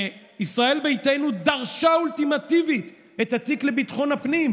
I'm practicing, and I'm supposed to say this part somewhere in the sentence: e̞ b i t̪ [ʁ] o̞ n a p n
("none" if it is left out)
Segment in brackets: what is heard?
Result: χ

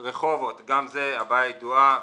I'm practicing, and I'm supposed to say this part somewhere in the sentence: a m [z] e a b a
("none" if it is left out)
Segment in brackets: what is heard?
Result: z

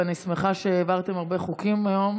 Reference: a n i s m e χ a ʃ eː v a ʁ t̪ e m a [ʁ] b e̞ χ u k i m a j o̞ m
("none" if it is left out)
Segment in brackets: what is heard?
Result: ʁ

